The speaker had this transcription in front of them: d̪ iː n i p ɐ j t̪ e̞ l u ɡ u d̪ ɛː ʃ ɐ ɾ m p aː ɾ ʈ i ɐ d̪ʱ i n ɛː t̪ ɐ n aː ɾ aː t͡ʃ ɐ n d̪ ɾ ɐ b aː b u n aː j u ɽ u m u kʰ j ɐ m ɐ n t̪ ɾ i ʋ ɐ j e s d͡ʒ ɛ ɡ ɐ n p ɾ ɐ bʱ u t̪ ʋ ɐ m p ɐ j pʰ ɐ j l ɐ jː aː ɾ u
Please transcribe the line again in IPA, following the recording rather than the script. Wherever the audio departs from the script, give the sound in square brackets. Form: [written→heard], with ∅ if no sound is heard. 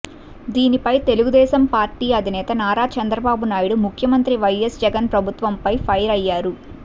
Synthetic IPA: d̪ iː n i p ɐ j t̪ e̞ l u ɡ u d̪ ɛː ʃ ɐ [ɾ→∅] m p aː ɾ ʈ [i→iː] ɐ d̪ʱ i n ɛː t̪ ɐ n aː ɾ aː t͡ʃ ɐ n d̪ ɾ ɐ b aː b u n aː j u ɽ u m u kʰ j ɐ m ɐ n t̪ ɾ i ʋ ɐ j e s d͡ʒ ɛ ɡ ɐ n p ɾ ɐ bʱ u t̪ ʋ ɐ m p ɐ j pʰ ɐ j [l→ɾ] ɐ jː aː ɾ u

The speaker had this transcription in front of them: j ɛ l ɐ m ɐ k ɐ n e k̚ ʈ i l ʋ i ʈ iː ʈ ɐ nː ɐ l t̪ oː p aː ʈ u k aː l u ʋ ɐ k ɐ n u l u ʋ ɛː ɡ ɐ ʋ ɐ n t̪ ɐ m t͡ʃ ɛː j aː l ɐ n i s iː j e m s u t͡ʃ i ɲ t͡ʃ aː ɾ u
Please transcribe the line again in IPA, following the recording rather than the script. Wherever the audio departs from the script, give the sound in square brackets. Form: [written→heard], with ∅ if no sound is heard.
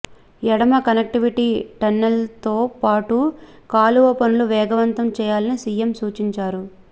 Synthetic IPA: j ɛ [l→ɽ] ɐ m ɐ k ɐ n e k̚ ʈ i [l→∅] ʋ i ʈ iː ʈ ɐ nː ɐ l t̪ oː p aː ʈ u k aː l u ʋ ɐ [k→p] ɐ n u l u ʋ ɛː ɡ ɐ ʋ ɐ n t̪ ɐ m t͡ʃ ɛː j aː l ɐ n i s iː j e m s [u→uː] t͡ʃ i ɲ t͡ʃ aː ɾ u

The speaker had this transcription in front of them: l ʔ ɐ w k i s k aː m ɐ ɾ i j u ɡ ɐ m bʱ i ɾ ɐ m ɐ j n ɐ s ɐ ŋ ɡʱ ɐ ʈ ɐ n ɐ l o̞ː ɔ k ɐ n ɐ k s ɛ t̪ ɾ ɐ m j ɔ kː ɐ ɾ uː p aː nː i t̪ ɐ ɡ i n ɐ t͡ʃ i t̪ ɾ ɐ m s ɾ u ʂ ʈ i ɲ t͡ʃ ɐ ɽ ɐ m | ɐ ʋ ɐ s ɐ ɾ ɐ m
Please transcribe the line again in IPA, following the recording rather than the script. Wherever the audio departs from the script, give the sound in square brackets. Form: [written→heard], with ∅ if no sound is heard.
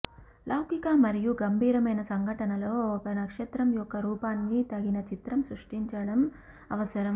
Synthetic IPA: l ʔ ɐ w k i [s→∅] k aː m ɐ ɾ i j u ɡ ɐ m bʱ [i→iː] ɾ ɐ m ɐ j n ɐ s ɐ ŋ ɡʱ ɐ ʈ ɐ n ɐ l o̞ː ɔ k ɐ n ɐ k [s→ʂ] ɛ t̪ ɾ ɐ m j ɔ kː ɐ ɾ uː p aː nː i t̪ ɐ ɡ i n ɐ t͡ʃ i t̪ ɾ ɐ m s ɾ u ʂ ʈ i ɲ t͡ʃ ɐ ɽ ɐ m | ɐ ʋ ɐ s ɐ ɾ ɐ m

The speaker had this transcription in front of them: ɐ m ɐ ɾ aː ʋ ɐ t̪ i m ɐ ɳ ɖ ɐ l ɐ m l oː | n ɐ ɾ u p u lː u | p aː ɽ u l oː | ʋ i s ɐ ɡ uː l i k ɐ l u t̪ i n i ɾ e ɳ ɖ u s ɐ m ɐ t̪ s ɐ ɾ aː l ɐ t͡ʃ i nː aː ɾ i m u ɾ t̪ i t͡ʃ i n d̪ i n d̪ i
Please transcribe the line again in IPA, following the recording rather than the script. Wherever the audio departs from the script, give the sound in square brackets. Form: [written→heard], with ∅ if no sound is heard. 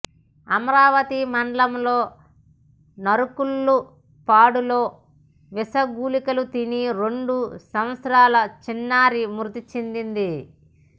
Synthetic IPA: ɐ m ɐ ɾ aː ʋ ɐ t̪ i m ɐ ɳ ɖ ɐ l ɐ m l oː | n ɐ ɾ u [p→k] u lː u | p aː ɽ u l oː | ʋ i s ɐ ɡ uː l i k ɐ l u t̪ i n i ɾ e ɳ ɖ u s ɐ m ɐ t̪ s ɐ ɾ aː l ɐ t͡ʃ i nː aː ɾ i m u ɾ t̪ i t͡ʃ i n d̪ i n d̪ i

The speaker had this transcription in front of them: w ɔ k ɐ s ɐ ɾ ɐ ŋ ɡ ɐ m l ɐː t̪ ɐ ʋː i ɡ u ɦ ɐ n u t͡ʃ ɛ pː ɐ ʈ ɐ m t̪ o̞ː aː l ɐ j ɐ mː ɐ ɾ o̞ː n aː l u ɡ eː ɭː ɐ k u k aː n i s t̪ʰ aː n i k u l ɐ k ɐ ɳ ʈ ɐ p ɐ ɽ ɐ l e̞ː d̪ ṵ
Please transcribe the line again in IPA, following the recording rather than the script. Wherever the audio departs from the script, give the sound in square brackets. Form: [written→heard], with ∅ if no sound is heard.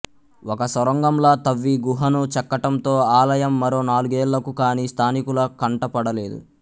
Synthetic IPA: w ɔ k ɐ s ɐ ɾ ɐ ŋ ɡ ɐ m l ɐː t̪ ɐ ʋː i ɡ u ɦ ɐ n u t͡ʃ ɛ [pː→kː] ɐ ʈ ɐ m t̪ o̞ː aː l ɐ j ɐ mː ɐ ɾ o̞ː n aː l u ɡ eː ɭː ɐ k u k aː n i s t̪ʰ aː n i k u l ɐ k ɐ ɳ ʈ ɐ p ɐ ɽ ɐ l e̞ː d̪ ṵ

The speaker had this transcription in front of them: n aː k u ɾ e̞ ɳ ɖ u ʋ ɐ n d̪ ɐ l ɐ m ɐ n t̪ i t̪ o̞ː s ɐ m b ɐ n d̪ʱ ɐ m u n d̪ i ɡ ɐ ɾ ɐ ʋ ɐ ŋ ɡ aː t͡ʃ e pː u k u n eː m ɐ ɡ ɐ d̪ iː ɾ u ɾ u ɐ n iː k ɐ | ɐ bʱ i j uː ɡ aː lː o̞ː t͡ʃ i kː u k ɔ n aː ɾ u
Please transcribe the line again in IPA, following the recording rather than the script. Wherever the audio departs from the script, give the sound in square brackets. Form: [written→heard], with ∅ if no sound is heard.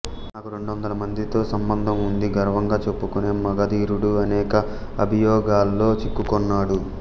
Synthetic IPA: n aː k u ɾ e̞ ɳ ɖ u ʋ ɐ n d̪ ɐ l ɐ m ɐ n [t̪→d̪] i t̪ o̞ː s ɐ m b ɐ n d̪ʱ ɐ m u n d̪ i ɡ ɐ ɾ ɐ ʋ ɐ ŋ ɡ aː t͡ʃ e pː u k u n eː m ɐ ɡ ɐ d̪ iː ɾ u [ɾ→ɽ] u ɐ n [iː→ɛː] k ɐ | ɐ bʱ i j [uː→ɔː] ɡ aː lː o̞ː t͡ʃ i kː u k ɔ [n→nː] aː [ɾ→ɽ] u

